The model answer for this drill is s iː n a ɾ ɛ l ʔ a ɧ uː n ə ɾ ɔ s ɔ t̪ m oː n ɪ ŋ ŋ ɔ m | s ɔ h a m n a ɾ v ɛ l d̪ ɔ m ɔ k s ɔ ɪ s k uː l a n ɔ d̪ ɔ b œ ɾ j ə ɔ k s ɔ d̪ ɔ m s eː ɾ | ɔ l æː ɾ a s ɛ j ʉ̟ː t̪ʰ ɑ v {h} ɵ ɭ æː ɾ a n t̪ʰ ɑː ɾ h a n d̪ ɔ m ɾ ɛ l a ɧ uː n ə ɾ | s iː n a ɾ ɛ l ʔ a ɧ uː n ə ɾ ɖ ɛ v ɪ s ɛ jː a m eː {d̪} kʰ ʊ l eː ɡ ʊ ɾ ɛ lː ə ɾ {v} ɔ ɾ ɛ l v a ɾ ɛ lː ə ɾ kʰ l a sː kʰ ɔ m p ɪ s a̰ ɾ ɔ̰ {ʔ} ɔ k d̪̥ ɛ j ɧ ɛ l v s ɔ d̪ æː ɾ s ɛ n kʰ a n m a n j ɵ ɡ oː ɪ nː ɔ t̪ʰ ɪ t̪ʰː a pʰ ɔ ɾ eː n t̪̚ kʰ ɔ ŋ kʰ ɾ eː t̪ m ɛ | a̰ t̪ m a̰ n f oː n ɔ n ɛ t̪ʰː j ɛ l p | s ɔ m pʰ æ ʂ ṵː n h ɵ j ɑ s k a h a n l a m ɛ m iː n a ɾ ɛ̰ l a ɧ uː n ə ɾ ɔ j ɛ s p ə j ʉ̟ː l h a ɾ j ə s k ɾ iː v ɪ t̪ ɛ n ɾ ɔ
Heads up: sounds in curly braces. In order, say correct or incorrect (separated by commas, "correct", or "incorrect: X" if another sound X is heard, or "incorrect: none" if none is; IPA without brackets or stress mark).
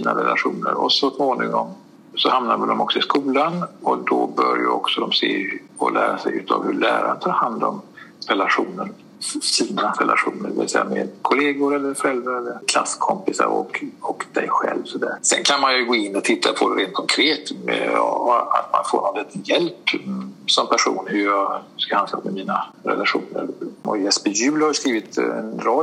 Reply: correct, correct, incorrect: f, incorrect: k